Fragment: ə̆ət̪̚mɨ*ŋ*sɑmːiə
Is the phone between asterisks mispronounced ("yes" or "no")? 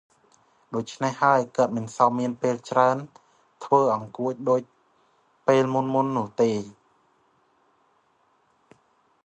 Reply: yes